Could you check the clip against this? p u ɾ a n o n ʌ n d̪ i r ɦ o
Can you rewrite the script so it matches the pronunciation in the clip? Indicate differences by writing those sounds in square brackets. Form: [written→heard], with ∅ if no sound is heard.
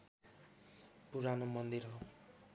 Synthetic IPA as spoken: p u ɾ a n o [n→m] ʌ n d̪ i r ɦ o